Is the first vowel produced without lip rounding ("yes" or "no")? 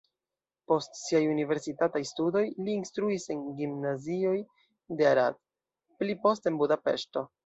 no